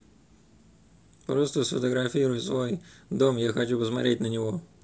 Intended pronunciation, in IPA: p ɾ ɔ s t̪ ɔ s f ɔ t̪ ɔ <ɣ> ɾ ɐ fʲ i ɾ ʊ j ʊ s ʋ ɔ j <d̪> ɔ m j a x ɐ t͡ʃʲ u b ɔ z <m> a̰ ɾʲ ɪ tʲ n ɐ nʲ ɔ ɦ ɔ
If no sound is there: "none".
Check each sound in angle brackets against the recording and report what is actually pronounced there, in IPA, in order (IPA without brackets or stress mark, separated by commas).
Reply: ɣ, d̪, m